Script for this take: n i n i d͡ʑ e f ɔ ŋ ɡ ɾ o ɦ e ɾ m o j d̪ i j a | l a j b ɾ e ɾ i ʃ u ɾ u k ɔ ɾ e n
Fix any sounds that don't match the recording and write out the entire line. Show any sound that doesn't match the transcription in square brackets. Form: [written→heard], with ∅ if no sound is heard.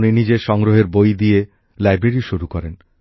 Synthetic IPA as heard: n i n i d͡ʑ e [f→ʃ] ɔ ŋ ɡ ɾ o ɦ e ɾ [m→b] o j d̪ i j [a→e] | l a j b ɾ e ɾ i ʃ u ɾ u k ɔ ɾ e n